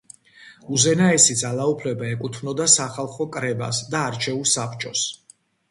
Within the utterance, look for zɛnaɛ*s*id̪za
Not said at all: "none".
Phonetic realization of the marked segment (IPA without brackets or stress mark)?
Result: s